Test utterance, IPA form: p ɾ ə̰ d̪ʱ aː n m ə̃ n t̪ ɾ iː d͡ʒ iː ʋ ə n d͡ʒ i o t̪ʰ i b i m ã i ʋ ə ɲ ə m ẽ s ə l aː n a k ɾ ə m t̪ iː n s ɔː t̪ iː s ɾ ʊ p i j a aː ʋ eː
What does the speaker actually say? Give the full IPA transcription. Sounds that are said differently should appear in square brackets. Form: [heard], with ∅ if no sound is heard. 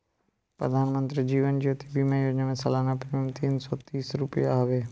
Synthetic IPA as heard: p ɾ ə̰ d̪ʱ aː n m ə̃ n t̪ ɾ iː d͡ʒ iː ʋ ə n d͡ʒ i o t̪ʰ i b i m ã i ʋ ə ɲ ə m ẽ s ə l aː n a [p] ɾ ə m t̪ iː n s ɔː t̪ iː s ɾ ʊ p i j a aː ʋ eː